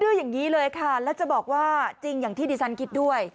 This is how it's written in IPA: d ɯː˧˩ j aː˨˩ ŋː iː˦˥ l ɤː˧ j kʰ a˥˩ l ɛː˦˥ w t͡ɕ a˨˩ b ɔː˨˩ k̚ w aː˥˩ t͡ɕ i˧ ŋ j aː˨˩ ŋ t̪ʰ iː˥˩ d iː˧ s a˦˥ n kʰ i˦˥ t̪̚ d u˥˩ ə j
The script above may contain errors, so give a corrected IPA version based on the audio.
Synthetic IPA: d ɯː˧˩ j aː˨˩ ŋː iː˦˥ l ɤː˧ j kʰ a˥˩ l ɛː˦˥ w t͡ɕ a˨˩ b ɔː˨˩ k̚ w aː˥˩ t͡ɕ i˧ ŋ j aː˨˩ ŋ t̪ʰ iː˥˩ d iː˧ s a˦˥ n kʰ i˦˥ t̪̚ d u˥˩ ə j